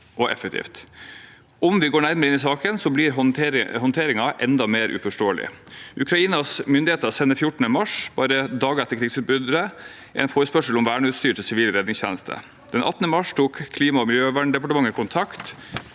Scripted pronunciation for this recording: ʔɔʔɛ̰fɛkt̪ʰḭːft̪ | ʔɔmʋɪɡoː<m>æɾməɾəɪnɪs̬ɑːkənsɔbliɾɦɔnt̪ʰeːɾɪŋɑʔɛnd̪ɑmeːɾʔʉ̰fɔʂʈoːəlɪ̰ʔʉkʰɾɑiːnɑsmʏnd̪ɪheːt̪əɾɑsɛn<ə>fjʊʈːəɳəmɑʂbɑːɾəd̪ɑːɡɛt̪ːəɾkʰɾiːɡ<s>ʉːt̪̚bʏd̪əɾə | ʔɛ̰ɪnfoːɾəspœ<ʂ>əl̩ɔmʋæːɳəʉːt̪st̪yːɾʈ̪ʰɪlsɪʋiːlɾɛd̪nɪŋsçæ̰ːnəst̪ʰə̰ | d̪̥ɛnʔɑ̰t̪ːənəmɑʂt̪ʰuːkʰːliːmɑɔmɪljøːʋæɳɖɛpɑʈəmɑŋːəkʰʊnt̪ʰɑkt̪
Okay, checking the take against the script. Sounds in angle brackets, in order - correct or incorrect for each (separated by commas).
incorrect, correct, correct, correct